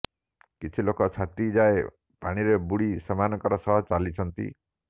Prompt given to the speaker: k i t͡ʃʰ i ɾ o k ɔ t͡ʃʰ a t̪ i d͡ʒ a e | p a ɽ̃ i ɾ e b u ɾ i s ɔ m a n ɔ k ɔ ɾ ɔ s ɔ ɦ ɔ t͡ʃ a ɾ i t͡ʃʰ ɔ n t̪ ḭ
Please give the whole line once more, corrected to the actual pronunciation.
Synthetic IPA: k i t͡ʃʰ i l o k ɔ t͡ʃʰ a t̪ i d͡ʒ a e | p a ɽ̃ i ɾ e b u ɽ i s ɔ m a n ɔ k ɔ ɾ ɔ s ɔ ɦ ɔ t͡ʃ a l i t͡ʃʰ ɔ n t̪ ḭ